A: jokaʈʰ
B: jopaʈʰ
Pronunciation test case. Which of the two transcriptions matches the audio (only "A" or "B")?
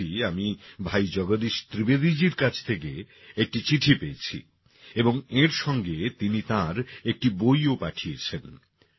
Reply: B